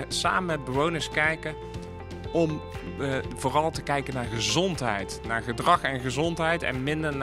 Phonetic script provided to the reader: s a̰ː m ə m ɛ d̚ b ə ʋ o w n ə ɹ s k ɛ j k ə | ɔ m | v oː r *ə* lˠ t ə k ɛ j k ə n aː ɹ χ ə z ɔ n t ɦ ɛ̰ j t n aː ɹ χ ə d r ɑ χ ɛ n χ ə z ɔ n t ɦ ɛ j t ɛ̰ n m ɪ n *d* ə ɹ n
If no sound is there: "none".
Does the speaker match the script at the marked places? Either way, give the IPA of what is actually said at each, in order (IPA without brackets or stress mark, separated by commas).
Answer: ɑ, d